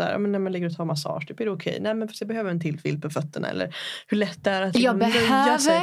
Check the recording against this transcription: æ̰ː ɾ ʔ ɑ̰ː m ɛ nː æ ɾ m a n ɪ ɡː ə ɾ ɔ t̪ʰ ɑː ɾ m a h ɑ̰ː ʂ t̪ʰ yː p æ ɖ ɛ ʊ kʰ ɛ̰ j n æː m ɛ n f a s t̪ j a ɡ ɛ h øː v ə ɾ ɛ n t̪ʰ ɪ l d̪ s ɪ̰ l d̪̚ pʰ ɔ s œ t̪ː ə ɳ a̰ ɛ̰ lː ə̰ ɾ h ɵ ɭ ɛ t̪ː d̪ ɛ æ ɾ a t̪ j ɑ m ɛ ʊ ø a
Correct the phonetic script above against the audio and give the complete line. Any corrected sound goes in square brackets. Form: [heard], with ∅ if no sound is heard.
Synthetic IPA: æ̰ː ɾ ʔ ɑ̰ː m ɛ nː æ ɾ m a n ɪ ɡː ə ɾ ɔ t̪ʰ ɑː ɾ m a [s] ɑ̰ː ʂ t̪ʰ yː p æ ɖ ɛ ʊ kʰ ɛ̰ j n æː m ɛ n f a s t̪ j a [b] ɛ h øː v ə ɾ ɛ n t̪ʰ ɪ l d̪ [f] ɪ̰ l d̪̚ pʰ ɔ [f] œ t̪ː ə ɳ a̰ ɛ̰ lː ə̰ ɾ h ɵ ɭ ɛ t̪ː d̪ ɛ æ ɾ a t̪ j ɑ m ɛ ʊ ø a